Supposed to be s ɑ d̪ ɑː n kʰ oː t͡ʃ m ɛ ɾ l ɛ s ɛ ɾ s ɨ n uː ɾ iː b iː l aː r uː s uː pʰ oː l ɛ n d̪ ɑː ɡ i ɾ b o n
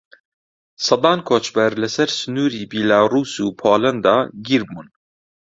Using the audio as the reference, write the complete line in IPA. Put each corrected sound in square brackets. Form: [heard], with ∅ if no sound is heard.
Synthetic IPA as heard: s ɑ d̪ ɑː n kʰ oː t͡ʃ [b] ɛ ɾ l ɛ s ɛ ɾ s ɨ n uː ɾ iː b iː l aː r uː s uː pʰ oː l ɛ n d̪ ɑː ɡ i ɾ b [u] n